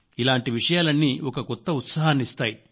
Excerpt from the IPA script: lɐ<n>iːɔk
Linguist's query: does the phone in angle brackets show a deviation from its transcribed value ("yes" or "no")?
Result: yes